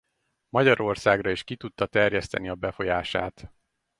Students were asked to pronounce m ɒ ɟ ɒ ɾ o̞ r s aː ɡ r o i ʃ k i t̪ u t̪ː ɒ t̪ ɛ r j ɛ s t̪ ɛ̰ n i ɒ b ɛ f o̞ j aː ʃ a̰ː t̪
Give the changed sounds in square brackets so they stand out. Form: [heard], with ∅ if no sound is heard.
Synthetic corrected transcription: m ɒ ɟ ɒ ɾ o̞ r s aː ɡ r [ɒ] i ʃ k i t̪ u t̪ː ɒ t̪ ɛ r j ɛ s t̪ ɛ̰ n i ɒ b ɛ f o̞ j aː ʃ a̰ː t̪

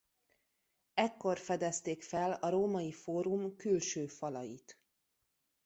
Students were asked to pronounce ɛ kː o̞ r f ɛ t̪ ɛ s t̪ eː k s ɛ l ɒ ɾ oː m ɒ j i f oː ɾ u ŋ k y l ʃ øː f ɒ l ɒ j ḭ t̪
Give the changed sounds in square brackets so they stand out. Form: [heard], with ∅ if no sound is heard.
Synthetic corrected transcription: ɛ kː o̞ r f ɛ [d̪] ɛ s t̪ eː k [f] ɛ l ɒ ɾ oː m ɒ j i f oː ɾ u [m] k y l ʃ øː f ɒ l ɒ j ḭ t̪

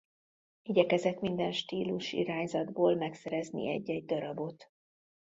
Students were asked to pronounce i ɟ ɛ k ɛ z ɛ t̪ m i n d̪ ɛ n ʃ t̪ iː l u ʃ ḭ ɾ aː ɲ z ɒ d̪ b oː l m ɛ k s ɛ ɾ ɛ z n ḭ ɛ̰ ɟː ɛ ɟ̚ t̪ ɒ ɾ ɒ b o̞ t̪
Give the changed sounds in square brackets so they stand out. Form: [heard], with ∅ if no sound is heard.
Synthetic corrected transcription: i ɟ ɛ k ɛ z ɛ t̪ m i n d̪ ɛ n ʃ t̪ iː l u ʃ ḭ ɾ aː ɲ z ɒ d̪ b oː l m ɛ k s ɛ ɾ ɛ z n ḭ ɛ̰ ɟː ɛ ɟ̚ [d̪] ɒ ɾ ɒ b o̞ t̪

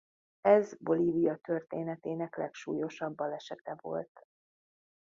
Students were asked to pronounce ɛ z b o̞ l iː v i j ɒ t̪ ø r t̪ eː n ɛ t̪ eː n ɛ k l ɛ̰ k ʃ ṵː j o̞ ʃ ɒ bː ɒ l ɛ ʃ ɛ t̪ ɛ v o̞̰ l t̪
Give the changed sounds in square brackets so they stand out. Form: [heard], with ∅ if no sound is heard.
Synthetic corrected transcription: ɛ z b o̞ l iː v i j ɒ t̪ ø r t̪ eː n ɛ t̪ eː n ɛ k l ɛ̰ k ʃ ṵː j o̞ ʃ ɒ bː ɒ l ɛ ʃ ɛ t̪ ɛ v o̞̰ l t̪

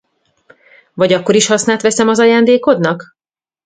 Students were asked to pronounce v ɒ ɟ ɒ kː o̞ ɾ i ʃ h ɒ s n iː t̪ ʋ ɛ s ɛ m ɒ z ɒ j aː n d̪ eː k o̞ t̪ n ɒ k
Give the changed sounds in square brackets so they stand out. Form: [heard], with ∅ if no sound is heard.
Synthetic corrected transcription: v ɒ ɟ ɒ kː o̞ ɾ i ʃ h ɒ s n [aː] t̪ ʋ ɛ s ɛ m ɒ z ɒ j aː n d̪ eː k o̞ [d̪] n ɒ k

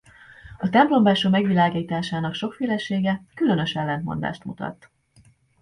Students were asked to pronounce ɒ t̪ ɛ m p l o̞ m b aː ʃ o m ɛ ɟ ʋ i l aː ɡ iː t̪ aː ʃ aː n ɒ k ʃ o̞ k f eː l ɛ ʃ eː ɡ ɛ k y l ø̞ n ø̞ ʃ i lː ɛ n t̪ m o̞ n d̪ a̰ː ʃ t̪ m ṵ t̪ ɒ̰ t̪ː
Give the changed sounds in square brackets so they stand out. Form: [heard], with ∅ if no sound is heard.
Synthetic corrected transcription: ɒ t̪ ɛ m p l o̞ m b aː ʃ o m ɛ [ɡ] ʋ i l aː ɡ iː t̪ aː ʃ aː n ɒ k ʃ o̞ k f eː l ɛ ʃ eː ɡ ɛ k y l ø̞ n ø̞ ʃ [ɛ] lː ɛ n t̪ m o̞ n d̪ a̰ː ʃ t̪ m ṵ t̪ ɒ̰ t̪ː

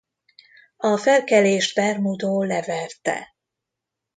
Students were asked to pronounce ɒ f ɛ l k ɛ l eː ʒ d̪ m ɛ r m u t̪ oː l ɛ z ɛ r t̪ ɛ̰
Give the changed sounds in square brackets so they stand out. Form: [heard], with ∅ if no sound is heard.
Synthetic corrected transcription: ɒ f ɛ l k ɛ l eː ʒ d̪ [b] ɛ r m u [d̪] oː l ɛ [v] ɛ r t̪ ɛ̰

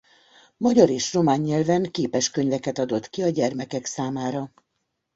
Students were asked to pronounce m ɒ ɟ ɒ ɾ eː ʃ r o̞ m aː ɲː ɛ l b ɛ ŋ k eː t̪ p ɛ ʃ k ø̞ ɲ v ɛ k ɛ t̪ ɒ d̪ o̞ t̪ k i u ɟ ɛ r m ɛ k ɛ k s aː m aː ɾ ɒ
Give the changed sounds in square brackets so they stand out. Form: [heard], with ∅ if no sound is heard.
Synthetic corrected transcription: m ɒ ɟ ɒ ɾ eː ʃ r o̞ m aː ɲː ɛ l [v] ɛ ŋ k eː [∅] p ɛ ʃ k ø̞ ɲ v ɛ k ɛ t̪ ɒ d̪ o̞ t̪ k i [ɒ] ɟ ɛ r m ɛ k ɛ k s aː m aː ɾ ɒ

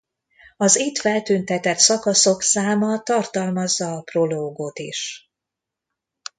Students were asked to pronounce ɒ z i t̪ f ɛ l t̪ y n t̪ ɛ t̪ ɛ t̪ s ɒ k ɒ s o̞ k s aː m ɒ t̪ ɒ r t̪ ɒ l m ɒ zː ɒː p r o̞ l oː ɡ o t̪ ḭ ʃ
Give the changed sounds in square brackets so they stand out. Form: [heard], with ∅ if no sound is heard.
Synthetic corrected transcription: ɒ z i t̪ f ɛ l t̪ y n t̪ ɛ t̪ ɛ t̪ s ɒ k ɒ s o̞ k s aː m ɒ t̪ ɒ r t̪ ɒ l m ɒ zː ɒː p r o̞ l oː ɡ o t̪ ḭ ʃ

